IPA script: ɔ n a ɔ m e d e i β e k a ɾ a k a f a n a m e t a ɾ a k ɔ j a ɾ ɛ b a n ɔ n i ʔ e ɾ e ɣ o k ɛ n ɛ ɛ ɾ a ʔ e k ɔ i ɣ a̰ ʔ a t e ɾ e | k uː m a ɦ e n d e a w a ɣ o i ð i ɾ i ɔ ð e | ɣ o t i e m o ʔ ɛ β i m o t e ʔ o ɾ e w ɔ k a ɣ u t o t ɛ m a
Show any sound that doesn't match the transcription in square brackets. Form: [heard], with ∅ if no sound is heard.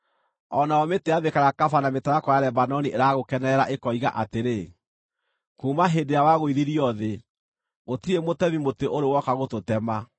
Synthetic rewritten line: ɔ n a ɔ m e [t] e [a] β e k a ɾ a k a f a n a m e t a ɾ a k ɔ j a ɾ ɛ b a n ɔ n i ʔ e ɾ [a] ɣ o k ɛ n ɛ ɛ ɾ a ʔ e k ɔ i ɣ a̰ ʔ a t e ɾ e | k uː m a ɦ e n d e a w a ɣ o i ð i ɾ i ɔ ð e | ɣ o t i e m o [t] ɛ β i m o t e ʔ o ɾ e w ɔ k a ɣ [o] t o t ɛ m a